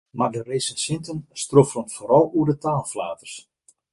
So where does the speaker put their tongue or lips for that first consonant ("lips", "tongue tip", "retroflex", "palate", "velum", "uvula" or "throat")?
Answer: lips